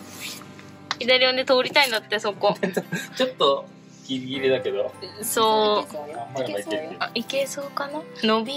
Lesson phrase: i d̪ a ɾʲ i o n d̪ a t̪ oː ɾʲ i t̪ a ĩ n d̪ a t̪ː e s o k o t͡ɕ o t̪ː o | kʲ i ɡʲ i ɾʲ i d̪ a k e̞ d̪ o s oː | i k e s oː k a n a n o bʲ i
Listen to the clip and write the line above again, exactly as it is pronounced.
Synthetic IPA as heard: i d̪ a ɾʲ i o n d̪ e t̪ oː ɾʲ i t̪ a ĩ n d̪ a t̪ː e s o k o t͡ɕ o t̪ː o | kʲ i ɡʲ i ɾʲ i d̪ a k e̞ d̪ o s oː | i k e s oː k a n a n o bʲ i

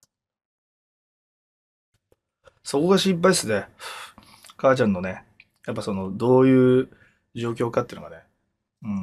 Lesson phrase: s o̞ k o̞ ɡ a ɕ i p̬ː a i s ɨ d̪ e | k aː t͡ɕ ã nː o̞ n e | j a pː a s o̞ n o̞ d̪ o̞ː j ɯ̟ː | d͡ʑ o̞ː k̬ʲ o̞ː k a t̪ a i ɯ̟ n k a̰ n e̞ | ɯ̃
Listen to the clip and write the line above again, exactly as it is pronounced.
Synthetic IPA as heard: s o̞ k o̞ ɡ a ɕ i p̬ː a i s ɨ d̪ e | k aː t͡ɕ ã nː o̞ n e | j a pː a s o̞ n o̞ d̪ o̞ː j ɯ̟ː | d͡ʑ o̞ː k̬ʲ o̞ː k a t̪ e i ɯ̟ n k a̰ n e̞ | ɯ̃

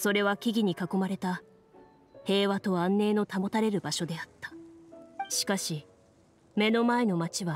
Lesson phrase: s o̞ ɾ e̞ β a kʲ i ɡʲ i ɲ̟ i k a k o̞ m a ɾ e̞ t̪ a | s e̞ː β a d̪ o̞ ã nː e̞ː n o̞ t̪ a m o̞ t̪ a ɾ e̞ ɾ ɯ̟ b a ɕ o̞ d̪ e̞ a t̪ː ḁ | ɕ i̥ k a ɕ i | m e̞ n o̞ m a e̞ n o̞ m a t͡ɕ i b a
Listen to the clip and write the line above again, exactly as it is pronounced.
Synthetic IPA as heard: s o̞ ɾ e̞ β a kʲ i ɡʲ i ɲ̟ i k a k o̞ m a ɾ e̞ t̪ a | h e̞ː β a t̪ o̞ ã nː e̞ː n o̞ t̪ a m o̞ t̪ a ɾ e̞ ɾ ɯ̟ b a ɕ o̞ d̪ e̞ a t̪ː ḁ | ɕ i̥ k a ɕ i | m e̞ n o̞ m a e̞ n o̞ m a t͡ɕ i β a

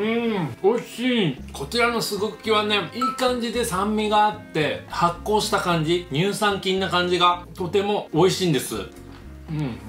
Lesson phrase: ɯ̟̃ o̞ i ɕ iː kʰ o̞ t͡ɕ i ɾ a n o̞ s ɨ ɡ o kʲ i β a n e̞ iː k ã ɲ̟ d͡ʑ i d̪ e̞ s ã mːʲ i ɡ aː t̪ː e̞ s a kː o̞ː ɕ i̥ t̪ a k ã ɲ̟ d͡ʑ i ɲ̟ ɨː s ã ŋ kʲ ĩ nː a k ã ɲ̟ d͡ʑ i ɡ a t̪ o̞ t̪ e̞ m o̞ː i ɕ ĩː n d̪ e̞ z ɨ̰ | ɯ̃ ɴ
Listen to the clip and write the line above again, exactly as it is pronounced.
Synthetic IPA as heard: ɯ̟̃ o̞ i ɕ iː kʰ o̞ t͡ɕ i ɾ a n o̞ s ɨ ɡ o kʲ i β a n e̞ iː k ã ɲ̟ d͡ʑ i d̪ e̞ s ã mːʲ i ɡ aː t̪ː e̞ h a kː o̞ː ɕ i̥ t̪ a k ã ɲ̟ d͡ʑ i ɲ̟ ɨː s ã ŋ kʲ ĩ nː a k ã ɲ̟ d͡ʑ i ɡ a t̪ o̞ t̪ e̞ m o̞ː i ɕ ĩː n d̪ e̞ s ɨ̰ | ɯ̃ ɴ

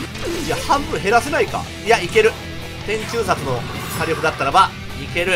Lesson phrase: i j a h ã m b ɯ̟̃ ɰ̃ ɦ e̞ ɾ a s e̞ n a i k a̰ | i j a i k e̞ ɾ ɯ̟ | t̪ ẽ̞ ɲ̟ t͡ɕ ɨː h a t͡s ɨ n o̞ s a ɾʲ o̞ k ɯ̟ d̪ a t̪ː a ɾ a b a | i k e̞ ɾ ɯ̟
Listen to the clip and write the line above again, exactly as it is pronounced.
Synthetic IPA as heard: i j a h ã m b ɯ̟̃ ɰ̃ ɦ e̞ ɾ a s e̞ n a i k a̰ | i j a i k e̞ ɾ ɯ̟ | t̪ ẽ̞ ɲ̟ t͡ɕ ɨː s a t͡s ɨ n o̞ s a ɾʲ o̞ k ɯ̟ d̪ a t̪ː a ɾ a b a | i k e̞ ɾ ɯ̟

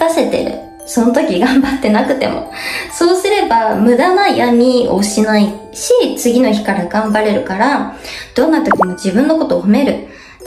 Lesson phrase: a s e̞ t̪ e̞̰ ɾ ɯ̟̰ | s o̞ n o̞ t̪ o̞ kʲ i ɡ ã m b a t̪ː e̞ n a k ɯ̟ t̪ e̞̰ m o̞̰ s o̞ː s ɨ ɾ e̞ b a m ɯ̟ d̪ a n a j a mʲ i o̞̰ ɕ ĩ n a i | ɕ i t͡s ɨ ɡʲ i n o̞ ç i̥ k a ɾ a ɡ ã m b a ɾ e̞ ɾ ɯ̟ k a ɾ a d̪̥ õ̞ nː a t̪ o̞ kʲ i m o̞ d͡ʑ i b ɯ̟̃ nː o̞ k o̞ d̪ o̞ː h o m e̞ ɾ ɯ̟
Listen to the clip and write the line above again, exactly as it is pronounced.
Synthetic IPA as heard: a s e̞ t̪ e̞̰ ɾ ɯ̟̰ | s o̞ n o̞ t̪ o̞ kʲ i ɡ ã m b a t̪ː e̞ n a k ɯ̟ t̪ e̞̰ m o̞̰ s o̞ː s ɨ ɾ e̞ b a m ɯ̟ d̪ a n a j a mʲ i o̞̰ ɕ i n a i | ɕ i t͡s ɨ ɡʲ i n o̞ ç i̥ k a ɾ a ɡ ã m b a ɾ e̞ ɾ ɯ̟ k a ɾ a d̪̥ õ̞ nː a t̪ o̞ kʲ i m o̞ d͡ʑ i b ɯ̟̃ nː o̞ k o̞ t̪ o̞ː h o m e̞ ɾ ɯ̟

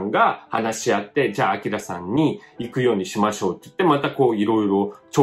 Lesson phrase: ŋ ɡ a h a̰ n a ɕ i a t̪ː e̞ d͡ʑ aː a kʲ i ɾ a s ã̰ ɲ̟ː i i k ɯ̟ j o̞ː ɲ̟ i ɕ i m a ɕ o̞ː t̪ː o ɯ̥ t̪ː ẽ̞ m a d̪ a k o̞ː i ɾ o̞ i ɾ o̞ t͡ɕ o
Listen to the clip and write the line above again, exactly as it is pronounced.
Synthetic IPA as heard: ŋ ɡ a h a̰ n a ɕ i a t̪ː e̞ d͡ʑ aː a kʲ i ɾ a s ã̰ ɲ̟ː i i k ɯ̟ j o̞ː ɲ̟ i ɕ i m a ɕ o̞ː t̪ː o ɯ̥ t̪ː e̞ m a t̪ a k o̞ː i ɾ o̞ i ɾ o̞ t͡ɕ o

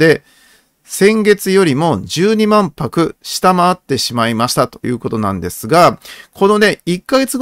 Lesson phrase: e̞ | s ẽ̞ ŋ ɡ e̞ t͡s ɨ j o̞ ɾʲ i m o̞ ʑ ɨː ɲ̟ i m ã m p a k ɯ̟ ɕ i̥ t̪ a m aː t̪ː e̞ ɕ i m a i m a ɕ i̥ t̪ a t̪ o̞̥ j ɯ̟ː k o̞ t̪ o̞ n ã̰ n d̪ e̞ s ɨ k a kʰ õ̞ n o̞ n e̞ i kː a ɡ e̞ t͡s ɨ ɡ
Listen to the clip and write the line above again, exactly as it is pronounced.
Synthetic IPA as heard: e̞ | s ẽ̞ ŋ ɡ e̞ t͡s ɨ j o̞ ɾʲ i m o̞ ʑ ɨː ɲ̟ i m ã m p a k ɯ̟ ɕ i̥ t̪ a m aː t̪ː e̞ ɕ i m a i m a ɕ i̥ t̪ a t̪ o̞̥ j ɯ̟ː k o̞ t̪ o̞ n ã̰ n d̪ e̞ s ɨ ɡ a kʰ o̞ n o̞ n e̞ i kː a ɡ e̞ t͡s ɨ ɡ

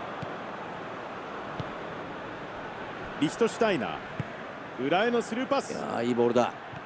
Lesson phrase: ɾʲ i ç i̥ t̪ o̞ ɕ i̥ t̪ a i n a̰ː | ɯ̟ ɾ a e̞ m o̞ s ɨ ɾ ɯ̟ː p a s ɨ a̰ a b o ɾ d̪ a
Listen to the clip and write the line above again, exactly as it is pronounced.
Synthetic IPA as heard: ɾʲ i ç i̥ t̪ o̞ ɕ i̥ t̪ a i n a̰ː | ɯ̟ ɾ a e̞ n o̞ s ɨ ɾ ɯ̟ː p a s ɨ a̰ i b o ɾ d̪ a

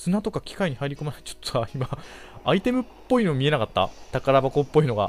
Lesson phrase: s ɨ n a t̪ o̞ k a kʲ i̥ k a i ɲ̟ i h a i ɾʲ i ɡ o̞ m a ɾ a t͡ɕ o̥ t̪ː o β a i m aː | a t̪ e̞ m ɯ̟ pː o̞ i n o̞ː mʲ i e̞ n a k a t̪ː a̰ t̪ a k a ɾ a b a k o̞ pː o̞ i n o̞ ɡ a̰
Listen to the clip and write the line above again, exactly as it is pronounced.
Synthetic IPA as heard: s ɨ n a t̪ o̞ k a kʲ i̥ k a i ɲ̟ i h a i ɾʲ i k o̞ m a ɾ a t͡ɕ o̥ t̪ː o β a i m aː | i t̪ e̞ m ɯ̟ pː o̞ i n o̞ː mʲ i e̞ n a k a t̪ː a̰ t̪ a k a ɾ a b a k o̞ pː o̞ i n o̞ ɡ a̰

